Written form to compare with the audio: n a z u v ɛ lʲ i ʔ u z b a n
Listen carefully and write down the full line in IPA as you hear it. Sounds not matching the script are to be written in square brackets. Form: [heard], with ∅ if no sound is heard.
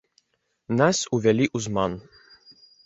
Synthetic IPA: n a [s] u v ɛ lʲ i ʔ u z [m] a n